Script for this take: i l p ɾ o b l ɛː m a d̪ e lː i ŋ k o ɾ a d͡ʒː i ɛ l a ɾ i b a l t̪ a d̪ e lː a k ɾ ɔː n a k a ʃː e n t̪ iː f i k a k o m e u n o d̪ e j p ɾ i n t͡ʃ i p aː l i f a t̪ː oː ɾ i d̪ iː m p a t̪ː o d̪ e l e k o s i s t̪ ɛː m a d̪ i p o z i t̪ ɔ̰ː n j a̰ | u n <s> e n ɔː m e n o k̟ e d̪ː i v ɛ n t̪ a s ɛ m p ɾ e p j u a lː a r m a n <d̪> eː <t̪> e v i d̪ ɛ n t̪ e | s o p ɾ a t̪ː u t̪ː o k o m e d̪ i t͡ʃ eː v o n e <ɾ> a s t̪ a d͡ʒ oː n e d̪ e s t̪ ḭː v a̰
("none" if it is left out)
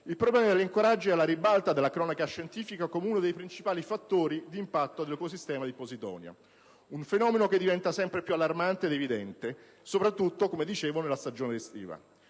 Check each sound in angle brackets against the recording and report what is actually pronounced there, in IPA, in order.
f, t̪, d̪, l

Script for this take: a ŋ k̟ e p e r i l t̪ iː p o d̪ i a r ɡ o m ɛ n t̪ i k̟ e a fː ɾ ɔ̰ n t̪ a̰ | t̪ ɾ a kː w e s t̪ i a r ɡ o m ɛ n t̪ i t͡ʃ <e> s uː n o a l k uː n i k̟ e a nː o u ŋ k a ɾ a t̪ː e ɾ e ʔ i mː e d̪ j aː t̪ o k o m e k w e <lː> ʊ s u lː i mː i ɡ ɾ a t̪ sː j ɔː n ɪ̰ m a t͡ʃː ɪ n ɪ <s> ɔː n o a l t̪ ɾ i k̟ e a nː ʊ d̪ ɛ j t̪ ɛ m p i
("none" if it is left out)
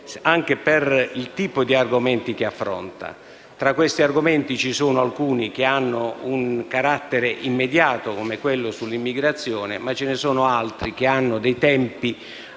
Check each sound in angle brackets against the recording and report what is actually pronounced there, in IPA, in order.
i, lː, s

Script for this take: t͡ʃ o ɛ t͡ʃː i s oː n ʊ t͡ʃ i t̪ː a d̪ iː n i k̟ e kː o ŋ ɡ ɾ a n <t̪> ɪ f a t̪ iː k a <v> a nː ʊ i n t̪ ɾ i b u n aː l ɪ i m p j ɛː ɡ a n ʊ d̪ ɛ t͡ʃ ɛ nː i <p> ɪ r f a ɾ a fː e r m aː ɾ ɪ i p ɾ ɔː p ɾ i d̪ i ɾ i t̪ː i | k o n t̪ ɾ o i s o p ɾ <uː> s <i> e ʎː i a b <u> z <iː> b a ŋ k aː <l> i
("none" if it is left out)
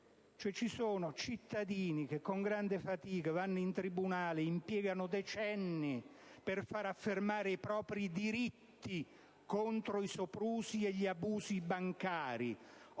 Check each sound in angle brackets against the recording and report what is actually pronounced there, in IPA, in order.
d̪, v, p, uː, i, uː, i, ɾ

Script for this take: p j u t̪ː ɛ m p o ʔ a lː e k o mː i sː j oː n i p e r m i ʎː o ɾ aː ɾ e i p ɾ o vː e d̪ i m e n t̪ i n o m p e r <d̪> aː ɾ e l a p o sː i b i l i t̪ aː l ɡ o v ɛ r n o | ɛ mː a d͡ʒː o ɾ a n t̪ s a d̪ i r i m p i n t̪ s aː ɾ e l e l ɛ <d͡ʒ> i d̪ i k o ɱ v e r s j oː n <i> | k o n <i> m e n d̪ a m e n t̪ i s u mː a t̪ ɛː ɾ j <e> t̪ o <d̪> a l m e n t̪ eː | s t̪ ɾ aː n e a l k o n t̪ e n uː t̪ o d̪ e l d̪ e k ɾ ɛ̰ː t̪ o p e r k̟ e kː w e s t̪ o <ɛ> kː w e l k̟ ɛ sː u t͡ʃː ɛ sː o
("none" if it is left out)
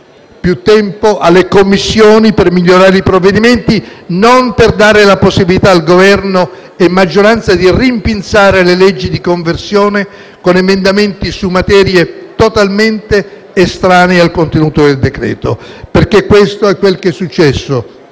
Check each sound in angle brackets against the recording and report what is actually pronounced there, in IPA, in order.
d̪, d͡ʒː, e, e, e, t̪, ɛ

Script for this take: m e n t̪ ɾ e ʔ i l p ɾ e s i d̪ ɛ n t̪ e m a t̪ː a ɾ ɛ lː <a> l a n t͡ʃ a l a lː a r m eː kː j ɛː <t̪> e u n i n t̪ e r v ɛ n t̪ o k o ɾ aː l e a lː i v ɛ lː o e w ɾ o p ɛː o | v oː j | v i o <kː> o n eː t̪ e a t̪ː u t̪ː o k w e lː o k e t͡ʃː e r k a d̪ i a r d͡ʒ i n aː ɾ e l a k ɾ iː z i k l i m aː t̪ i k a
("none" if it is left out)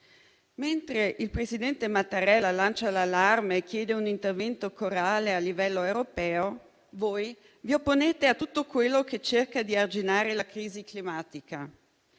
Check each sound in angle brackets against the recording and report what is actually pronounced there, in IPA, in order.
a, d̪, pː

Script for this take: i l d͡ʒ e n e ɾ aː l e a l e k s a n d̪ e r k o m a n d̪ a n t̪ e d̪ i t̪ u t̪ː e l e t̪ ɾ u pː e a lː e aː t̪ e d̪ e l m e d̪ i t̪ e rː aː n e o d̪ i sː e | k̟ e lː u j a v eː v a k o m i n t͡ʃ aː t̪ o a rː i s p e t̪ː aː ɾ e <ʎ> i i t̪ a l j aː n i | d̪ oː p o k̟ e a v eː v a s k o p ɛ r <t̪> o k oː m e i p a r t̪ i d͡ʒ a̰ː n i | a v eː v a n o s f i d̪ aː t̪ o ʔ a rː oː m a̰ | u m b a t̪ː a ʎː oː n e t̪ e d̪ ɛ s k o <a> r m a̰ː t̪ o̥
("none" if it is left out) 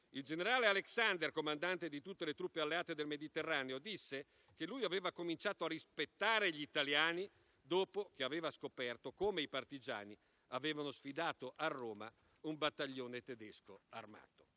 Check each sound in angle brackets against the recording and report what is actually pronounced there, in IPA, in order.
ʎ, t̪, a

